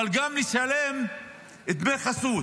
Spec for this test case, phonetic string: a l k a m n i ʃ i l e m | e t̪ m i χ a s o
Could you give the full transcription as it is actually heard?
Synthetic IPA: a l ɡ a m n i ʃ a l e m | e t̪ m e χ a s u